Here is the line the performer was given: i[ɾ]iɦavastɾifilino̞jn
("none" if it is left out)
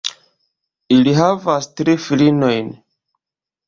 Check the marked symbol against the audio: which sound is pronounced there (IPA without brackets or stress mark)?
l